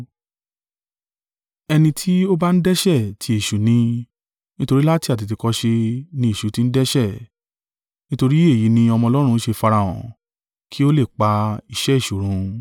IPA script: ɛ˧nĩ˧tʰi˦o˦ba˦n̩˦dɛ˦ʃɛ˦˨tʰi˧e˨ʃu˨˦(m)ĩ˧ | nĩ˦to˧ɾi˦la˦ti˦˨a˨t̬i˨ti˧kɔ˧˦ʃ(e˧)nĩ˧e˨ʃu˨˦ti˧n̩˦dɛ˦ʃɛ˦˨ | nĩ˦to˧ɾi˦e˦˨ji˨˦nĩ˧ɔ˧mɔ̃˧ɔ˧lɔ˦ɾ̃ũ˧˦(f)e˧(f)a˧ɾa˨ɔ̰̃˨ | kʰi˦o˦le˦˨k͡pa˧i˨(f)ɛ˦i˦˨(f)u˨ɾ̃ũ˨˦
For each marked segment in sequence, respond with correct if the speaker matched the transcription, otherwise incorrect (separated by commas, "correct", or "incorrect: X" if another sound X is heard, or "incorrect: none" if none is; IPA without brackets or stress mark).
incorrect: n, correct, incorrect: ʃ, correct, incorrect: ʃ, incorrect: ʃ